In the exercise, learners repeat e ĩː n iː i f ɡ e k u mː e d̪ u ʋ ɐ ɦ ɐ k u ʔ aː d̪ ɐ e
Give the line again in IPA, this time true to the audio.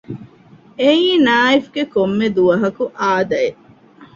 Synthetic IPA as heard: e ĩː n aː i f ɡ e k o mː e d̪ u ʋ ɐ ɦ ɐ k u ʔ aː d̪ ɐ e